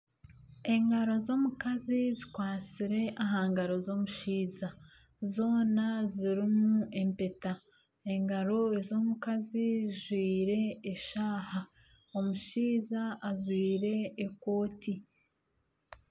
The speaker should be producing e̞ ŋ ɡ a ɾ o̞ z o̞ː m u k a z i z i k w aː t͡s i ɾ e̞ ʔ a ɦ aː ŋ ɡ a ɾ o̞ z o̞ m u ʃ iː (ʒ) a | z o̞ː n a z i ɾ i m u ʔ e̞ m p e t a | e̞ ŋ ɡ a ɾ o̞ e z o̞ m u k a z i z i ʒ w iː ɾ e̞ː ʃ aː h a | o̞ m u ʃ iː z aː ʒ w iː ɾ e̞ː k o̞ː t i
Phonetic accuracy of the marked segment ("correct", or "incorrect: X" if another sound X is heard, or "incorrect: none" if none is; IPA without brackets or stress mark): incorrect: z